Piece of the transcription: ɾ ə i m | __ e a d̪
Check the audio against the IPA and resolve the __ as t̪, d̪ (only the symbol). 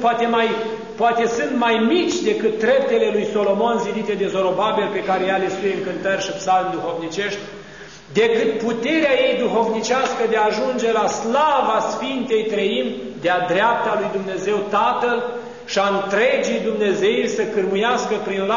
d̪